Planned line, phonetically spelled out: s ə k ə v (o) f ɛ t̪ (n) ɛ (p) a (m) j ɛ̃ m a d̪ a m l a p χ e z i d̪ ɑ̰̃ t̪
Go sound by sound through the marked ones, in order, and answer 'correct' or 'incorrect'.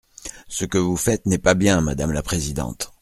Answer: incorrect, correct, correct, incorrect

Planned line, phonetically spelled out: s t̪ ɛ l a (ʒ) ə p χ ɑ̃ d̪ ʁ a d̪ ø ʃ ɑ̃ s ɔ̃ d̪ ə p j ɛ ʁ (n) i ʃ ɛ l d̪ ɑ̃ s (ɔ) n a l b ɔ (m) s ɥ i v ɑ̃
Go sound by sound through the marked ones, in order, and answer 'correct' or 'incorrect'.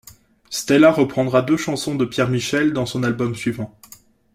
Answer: incorrect, incorrect, incorrect, correct

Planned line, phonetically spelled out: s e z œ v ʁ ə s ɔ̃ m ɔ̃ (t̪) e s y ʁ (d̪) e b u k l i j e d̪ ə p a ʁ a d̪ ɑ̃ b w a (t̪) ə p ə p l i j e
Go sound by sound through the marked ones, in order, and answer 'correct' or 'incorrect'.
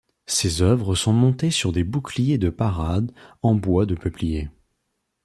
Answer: correct, correct, incorrect

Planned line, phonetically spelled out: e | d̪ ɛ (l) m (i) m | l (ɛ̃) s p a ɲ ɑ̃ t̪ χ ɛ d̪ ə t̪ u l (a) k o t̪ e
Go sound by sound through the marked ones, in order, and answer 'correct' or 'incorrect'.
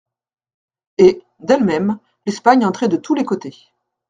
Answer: correct, incorrect, incorrect, incorrect

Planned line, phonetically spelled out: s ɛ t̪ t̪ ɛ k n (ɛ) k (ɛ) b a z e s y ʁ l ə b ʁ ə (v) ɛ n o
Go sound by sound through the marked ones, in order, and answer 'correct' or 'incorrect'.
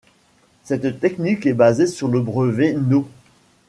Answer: incorrect, correct, correct

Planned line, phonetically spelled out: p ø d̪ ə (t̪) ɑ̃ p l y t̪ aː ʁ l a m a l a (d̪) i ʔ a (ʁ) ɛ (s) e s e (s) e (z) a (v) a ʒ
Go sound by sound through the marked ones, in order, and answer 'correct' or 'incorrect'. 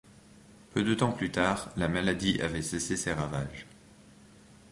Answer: correct, correct, incorrect, correct, correct, incorrect, correct

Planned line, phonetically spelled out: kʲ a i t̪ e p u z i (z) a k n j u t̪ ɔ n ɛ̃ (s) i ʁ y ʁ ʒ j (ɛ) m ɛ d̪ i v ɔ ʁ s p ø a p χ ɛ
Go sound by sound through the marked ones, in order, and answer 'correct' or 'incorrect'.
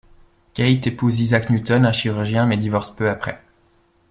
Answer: correct, incorrect, incorrect

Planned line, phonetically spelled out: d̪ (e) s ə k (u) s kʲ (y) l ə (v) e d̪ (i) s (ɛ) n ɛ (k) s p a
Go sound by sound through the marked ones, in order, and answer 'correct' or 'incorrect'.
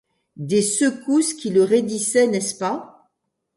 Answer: correct, correct, incorrect, incorrect, correct, correct, incorrect

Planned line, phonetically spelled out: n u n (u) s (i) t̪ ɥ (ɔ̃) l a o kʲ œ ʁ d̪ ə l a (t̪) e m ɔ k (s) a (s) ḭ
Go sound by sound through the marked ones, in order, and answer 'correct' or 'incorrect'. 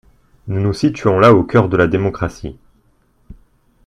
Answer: correct, correct, correct, incorrect, incorrect, correct

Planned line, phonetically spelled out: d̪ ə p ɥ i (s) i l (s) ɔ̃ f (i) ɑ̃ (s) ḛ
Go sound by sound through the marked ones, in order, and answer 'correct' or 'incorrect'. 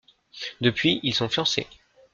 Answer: incorrect, correct, incorrect, correct

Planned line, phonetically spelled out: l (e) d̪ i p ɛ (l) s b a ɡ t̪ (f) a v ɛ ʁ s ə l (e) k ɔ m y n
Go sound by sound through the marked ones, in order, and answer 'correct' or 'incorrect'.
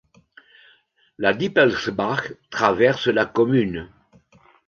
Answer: incorrect, correct, incorrect, incorrect

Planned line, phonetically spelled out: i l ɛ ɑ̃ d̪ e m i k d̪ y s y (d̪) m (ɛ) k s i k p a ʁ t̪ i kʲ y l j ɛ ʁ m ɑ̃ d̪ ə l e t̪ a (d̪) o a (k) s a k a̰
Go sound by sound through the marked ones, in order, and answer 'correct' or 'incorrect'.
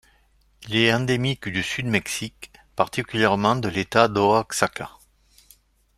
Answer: correct, correct, correct, correct

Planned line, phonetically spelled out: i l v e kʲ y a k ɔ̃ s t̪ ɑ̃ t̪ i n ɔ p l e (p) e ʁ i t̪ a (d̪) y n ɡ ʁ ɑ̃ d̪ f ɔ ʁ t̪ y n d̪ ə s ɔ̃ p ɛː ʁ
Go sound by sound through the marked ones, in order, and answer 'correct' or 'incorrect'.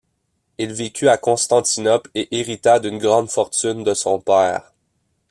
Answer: incorrect, correct

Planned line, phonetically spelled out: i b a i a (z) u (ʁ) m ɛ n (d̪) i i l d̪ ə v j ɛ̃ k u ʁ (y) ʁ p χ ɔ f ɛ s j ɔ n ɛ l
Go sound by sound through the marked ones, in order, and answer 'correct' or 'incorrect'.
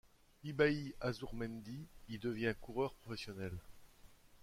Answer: correct, correct, correct, incorrect

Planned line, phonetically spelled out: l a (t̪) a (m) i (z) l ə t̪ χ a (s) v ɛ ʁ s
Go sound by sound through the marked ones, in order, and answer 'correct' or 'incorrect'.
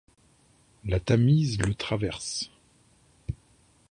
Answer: correct, correct, correct, incorrect

